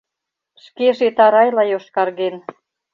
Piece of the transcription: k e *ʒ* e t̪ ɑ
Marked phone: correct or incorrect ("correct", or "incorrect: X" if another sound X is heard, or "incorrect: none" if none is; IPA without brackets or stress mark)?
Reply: correct